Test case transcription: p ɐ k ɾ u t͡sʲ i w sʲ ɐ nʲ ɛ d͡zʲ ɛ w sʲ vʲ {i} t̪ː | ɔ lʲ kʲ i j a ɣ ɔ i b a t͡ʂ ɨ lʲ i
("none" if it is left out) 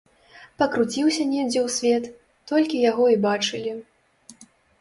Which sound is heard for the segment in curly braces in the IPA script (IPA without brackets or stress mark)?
ɛ